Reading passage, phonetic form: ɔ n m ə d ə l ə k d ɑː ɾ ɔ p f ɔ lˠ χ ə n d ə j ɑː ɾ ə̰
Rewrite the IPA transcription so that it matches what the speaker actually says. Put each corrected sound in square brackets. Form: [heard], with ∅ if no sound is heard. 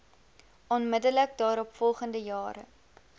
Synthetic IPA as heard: ɔ n m ə d ə l ə k d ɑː ɾ ɔ p f ɔ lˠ χ ə n d ə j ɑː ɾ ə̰